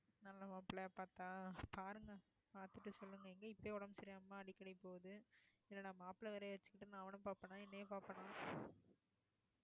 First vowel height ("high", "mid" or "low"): low